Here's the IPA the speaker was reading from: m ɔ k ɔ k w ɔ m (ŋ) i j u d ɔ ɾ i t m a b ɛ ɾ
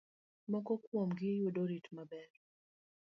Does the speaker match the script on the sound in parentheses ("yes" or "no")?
no